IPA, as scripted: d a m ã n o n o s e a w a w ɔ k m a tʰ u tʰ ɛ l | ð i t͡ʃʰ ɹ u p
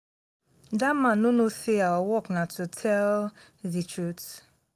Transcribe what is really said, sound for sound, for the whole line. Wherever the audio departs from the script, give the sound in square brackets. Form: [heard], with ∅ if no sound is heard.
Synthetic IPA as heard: d a m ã n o n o s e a w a w ɔ k [n] a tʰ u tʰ ɛ l | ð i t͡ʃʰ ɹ u [t]

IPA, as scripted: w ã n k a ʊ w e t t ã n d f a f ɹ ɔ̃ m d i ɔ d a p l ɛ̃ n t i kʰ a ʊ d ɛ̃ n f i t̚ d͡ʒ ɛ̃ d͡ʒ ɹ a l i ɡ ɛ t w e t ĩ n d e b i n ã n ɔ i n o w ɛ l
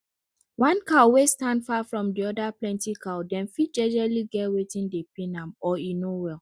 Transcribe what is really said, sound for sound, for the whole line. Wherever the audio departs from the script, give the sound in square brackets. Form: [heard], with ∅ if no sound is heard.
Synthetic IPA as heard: w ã n k a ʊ w e [s] t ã n d f a f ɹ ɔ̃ m d i ɔ d a p l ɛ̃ n t i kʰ a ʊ d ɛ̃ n f i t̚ d͡ʒ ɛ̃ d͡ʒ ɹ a l i ɡ ɛ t w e t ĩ n d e [p] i n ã [m] ɔ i n o w ɛ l

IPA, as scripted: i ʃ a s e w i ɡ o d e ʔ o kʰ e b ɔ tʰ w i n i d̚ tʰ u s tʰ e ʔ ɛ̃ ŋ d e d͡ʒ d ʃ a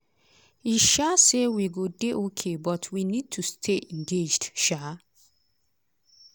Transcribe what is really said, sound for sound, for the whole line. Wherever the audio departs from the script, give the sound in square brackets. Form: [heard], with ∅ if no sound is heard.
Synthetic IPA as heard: i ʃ a s e w i ɡ o d e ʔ o kʰ e b ɔ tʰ w i n i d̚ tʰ u s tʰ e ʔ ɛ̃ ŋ [ɡ] e d͡ʒ d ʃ a

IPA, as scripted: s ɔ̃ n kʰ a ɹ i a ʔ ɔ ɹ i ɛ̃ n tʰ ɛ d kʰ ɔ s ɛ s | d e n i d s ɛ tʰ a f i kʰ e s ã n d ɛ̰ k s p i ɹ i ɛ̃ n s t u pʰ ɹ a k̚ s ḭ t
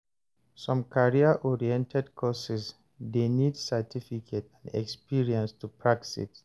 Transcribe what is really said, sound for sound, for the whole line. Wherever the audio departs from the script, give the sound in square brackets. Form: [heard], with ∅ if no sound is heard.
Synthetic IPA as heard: s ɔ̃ [m] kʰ a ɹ i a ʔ ɔ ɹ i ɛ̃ n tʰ ɛ d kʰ ɔ s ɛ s | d e n i d s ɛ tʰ [i] f i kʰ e [t] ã n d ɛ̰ k s p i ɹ i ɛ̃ n s t u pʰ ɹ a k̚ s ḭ t

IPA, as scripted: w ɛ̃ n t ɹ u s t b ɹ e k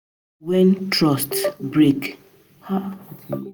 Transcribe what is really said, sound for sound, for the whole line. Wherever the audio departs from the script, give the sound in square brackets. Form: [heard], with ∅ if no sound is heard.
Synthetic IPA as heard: w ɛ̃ n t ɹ [ɔ] s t b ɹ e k

